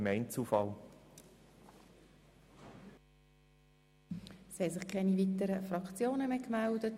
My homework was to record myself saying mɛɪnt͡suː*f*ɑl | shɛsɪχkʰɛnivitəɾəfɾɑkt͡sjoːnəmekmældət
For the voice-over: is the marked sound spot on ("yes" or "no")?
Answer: yes